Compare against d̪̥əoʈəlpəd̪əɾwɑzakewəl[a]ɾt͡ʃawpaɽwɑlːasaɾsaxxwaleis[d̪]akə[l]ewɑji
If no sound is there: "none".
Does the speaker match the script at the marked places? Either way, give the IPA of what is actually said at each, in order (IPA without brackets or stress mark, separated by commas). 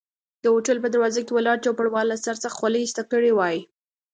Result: ɑ, t̪, ɽ